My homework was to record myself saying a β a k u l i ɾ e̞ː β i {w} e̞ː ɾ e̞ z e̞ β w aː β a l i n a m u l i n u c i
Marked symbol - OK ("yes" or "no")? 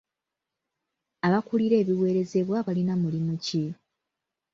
yes